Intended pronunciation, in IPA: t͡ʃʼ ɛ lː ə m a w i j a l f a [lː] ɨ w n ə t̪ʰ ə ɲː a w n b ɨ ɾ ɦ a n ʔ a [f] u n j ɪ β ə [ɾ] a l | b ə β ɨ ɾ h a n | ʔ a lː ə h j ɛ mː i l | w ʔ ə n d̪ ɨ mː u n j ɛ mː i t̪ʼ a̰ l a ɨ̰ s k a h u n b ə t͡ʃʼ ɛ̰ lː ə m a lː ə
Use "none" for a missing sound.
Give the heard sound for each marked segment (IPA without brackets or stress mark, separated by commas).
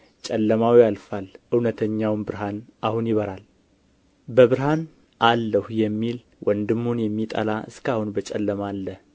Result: l, h, ɾ